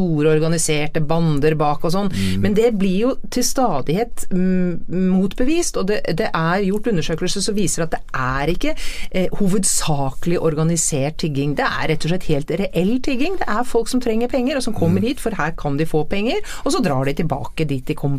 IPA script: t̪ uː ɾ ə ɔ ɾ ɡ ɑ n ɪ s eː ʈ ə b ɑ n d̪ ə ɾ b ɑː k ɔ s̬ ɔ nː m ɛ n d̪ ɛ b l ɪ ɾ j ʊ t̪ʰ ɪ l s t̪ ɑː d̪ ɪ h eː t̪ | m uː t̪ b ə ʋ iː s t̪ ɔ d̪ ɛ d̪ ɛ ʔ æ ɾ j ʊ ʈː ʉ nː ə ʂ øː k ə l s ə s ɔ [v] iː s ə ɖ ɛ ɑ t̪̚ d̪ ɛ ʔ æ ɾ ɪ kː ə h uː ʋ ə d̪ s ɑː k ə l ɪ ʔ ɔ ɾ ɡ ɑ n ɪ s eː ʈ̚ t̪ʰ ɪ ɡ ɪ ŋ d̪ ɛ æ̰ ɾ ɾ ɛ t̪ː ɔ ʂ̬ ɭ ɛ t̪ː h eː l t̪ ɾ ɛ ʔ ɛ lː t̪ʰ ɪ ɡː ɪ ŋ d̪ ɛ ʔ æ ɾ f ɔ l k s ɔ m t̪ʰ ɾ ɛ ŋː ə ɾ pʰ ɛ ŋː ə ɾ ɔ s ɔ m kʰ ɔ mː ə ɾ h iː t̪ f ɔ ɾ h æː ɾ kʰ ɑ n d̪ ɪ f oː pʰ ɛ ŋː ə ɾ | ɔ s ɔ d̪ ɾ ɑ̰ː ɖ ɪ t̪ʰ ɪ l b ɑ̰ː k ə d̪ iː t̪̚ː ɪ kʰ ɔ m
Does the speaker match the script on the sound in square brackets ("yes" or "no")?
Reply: no